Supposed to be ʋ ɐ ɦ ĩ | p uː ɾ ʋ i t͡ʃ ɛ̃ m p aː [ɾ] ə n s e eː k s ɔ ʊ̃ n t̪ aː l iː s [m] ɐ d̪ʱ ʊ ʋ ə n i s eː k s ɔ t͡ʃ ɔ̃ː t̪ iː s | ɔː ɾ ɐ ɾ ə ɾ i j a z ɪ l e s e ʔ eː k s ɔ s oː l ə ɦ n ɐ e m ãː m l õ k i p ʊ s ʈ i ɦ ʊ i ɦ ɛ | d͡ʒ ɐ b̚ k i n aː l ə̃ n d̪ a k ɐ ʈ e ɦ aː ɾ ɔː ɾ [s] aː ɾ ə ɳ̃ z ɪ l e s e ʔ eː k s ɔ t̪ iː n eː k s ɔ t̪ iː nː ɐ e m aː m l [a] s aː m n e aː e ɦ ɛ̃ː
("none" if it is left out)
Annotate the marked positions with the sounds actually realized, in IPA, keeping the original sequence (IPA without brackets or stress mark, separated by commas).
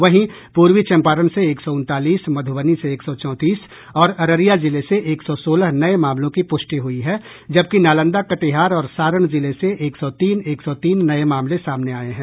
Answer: ɾ, m, s, e